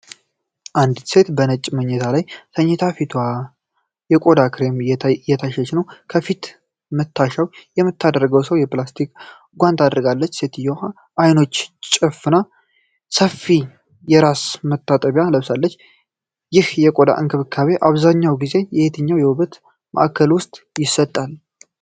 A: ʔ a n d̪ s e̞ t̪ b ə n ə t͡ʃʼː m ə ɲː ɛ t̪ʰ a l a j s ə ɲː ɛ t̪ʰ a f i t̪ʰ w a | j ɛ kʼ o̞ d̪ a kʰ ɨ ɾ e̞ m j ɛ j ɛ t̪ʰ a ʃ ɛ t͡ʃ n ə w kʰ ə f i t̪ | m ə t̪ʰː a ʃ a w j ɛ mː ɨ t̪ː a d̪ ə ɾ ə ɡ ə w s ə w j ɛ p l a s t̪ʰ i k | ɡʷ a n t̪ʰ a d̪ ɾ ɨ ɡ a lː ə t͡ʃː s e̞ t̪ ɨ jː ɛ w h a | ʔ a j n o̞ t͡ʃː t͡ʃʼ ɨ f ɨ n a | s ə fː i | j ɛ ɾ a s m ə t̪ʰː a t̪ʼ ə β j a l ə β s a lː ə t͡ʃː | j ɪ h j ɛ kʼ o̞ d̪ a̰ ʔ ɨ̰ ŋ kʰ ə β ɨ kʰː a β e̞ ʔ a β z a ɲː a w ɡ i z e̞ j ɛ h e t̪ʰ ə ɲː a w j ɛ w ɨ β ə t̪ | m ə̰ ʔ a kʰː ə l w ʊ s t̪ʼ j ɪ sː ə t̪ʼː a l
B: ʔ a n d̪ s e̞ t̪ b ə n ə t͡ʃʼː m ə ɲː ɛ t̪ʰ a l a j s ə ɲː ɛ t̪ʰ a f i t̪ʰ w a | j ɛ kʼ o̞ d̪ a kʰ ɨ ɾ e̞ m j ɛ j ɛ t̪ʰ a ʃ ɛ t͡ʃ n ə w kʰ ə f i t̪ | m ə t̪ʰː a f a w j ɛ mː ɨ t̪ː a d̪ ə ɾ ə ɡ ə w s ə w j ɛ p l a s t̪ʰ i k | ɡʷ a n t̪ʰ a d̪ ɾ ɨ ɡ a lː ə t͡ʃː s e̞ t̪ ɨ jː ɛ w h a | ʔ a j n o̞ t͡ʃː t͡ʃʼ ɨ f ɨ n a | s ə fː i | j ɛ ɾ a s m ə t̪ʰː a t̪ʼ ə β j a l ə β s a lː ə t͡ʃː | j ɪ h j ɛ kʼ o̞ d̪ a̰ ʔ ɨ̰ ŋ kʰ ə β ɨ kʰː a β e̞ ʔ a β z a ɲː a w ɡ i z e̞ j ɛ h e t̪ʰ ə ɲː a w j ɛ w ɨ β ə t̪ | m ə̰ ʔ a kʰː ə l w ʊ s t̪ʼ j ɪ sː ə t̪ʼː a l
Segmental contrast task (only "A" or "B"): A